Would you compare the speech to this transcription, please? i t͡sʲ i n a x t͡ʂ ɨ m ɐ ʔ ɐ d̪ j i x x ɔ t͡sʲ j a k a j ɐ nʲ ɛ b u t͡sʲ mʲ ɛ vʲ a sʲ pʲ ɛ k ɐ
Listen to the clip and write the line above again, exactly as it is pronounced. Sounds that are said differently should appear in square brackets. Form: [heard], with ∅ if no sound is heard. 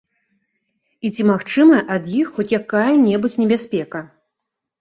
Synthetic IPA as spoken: i t͡sʲ i [m] a x t͡ʂ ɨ m ɐ ʔ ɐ d̪ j i x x ɔ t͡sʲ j a k a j ɐ nʲ ɛ b u t͡sʲ [nʲ] ɛ [bʲ] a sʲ pʲ ɛ k ɐ